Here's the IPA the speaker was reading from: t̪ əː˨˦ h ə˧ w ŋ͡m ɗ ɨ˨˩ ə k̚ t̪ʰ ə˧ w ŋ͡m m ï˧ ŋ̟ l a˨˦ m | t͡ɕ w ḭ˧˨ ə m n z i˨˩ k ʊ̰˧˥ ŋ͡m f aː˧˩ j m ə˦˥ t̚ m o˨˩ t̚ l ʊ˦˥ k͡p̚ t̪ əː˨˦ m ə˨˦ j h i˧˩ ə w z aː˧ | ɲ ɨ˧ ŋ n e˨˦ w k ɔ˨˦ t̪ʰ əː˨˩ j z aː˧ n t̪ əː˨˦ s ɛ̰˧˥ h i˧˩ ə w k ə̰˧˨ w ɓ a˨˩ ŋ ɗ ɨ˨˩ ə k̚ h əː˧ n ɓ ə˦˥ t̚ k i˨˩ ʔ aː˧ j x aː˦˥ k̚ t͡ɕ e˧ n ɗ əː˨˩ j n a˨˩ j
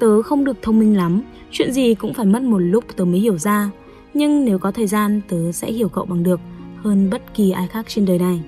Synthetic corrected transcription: t̪ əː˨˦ x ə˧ w ŋ͡m ɗ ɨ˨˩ ə k̚ t̪ʰ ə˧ w ŋ͡m m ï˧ ŋ̟ l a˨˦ m | t͡ɕ w ḭ˧˨ ə n z i˨˩ k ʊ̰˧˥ ŋ͡m f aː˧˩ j m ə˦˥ t̚ m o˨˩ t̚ l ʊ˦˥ k͡p̚ t̪ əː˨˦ m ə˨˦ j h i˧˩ ə w z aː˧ | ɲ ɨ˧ ŋ n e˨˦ w k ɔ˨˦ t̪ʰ əː˨˩ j z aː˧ n t̪ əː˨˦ s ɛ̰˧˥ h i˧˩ ə w k ə̰˧˨ w ɓ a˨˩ ŋ ɗ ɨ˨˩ ə k̚ h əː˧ n ɓ ə˦˥ t̚ k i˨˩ ʔ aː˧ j x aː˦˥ k̚ t͡ɕ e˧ n ɗ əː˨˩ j n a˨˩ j